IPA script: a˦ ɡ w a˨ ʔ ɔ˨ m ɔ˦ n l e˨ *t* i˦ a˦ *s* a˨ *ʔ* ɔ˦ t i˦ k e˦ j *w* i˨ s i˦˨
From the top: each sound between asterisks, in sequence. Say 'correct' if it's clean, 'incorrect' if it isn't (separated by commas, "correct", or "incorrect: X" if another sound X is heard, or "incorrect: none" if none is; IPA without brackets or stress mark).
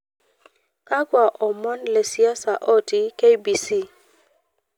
incorrect: s, correct, correct, incorrect: b